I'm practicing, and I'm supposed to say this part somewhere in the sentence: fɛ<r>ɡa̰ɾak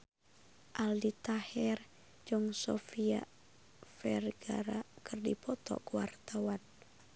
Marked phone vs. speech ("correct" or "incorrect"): correct